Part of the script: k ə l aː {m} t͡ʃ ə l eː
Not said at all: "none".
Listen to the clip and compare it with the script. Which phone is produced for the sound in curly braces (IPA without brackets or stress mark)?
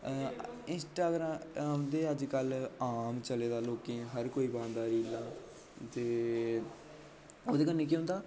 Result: m